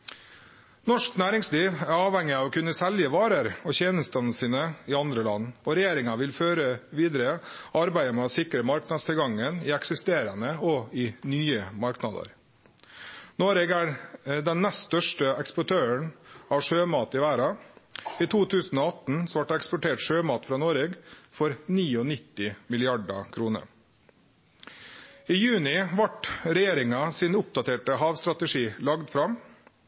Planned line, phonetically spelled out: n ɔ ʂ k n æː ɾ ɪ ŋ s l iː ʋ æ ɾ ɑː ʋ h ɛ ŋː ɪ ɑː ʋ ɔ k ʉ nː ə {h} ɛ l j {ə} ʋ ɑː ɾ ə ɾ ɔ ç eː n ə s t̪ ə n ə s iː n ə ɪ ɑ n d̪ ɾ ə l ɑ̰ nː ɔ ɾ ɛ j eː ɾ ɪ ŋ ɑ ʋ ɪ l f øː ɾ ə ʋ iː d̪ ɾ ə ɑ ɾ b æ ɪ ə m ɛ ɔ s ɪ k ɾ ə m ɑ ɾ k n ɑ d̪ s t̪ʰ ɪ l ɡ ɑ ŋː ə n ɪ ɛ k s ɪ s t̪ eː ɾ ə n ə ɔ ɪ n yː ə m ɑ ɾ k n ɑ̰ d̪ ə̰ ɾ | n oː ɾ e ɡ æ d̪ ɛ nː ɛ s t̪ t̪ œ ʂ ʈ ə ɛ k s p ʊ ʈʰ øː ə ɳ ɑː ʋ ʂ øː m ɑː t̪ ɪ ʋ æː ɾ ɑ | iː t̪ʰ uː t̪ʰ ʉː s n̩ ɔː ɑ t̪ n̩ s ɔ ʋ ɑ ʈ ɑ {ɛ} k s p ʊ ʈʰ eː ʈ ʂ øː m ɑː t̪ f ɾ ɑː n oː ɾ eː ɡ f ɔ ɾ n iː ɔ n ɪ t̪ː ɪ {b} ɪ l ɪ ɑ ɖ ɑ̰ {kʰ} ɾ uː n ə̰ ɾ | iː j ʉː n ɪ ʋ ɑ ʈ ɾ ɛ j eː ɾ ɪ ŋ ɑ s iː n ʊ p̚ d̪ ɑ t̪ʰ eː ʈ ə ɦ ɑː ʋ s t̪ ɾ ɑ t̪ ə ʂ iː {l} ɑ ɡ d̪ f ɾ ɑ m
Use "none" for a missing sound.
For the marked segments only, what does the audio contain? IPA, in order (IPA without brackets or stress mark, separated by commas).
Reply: s, ə, ɛ, m, kʰ, l